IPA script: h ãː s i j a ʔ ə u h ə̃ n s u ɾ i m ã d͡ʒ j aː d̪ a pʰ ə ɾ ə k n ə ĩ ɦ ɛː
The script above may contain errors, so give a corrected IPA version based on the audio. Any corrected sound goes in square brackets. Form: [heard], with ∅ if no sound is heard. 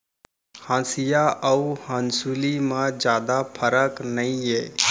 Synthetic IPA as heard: h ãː s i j a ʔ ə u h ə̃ n s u [l] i m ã d͡ʒ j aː d̪ a pʰ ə ɾ ə k n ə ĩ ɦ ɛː